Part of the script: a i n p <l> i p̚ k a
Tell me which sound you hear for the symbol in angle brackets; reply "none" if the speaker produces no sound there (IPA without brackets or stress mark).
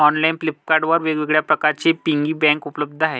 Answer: l